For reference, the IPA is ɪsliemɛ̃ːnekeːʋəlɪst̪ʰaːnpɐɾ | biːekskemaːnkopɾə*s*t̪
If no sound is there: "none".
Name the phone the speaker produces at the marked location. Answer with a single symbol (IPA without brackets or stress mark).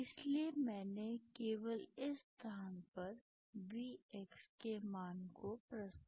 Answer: s